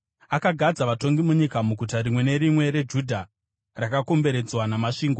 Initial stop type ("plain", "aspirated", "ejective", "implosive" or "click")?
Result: plain